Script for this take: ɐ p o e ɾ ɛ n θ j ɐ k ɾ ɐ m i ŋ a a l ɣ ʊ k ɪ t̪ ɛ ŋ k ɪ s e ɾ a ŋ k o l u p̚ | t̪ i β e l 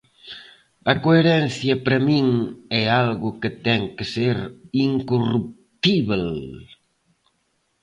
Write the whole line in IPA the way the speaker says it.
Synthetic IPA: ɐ k o e ɾ ɛ n θ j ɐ p ɾ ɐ m i ŋ ɛ a l ɣ ʊ k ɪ t̪ ɛ ŋ k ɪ s e ɾ i ŋ k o r u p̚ | t̪ i β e l